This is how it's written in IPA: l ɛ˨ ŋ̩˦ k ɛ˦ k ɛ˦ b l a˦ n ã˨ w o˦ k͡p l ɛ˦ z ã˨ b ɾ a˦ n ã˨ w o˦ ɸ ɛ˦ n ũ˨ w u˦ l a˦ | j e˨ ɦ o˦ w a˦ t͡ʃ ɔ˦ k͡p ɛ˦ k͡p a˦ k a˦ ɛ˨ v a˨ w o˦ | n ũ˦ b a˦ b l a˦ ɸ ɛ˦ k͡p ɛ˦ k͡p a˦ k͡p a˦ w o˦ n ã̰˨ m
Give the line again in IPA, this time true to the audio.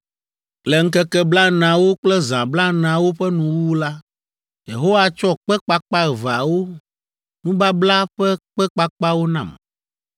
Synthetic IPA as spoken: l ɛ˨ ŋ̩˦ k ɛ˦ k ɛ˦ b l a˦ n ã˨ w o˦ k͡p l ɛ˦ z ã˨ b l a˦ n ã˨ w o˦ ɸ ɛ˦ n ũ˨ w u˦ l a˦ | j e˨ ɦ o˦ w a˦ t͡ʃ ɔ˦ k͡p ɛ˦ k͡p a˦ k͡p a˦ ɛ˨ v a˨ w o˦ | n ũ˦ b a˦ b l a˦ ɸ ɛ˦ k͡p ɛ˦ k͡p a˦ k͡p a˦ w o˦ n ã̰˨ m

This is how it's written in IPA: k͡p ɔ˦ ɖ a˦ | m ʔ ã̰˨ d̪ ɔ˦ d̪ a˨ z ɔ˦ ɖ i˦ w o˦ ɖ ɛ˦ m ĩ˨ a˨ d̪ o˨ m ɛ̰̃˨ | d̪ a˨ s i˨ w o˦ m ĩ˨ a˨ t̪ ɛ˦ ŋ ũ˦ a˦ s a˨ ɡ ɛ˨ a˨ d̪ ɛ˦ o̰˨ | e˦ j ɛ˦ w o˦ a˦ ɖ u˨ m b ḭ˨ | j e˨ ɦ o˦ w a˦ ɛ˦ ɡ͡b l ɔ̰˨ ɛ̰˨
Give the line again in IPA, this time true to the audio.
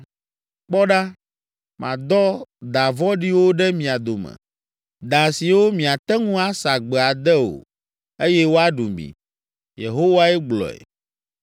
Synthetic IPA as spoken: k͡p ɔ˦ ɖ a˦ | m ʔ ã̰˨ d̪ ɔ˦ d̪ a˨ v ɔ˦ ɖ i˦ w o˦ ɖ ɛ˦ m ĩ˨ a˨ d̪ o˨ m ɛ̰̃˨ | d̪ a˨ s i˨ w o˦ m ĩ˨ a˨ t̪ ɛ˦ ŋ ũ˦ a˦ s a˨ ɡ͡b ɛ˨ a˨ d̪ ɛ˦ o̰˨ | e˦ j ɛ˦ w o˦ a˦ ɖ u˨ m b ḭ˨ | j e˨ ɦ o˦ w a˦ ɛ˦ ɡ͡b l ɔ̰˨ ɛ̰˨

